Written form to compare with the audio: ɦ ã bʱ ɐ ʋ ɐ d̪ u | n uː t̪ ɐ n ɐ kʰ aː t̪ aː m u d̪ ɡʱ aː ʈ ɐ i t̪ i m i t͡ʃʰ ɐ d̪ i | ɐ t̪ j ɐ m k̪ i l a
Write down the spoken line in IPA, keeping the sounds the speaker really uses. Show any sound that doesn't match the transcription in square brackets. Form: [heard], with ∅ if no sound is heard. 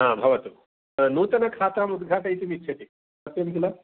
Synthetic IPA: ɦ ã bʱ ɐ ʋ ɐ [t̪] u | n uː t̪ ɐ n ɐ kʰ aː t̪ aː m u d̪ ɡʱ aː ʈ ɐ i t̪ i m i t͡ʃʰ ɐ [t̪] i | ɐ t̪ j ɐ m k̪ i l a